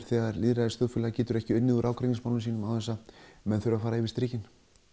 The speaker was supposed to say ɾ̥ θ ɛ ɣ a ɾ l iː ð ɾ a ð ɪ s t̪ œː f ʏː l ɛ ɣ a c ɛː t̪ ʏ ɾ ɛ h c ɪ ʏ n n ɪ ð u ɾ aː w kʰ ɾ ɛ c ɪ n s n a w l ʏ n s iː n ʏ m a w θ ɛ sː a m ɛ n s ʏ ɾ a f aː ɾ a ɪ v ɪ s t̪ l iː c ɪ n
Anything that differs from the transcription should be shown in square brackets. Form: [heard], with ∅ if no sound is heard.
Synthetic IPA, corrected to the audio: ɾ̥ θ ɛ ɣ a ɾ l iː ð ɾ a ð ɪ s t̪ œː f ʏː l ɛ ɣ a c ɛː t̪ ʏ ɾ ɛ h c ɪ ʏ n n ɪ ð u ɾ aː w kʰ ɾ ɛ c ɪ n s [m] a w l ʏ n s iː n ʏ m a w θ ɛ sː a m ɛ n [θ] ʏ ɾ a f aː ɾ a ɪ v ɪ s t̪ [ɾ] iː c ɪ n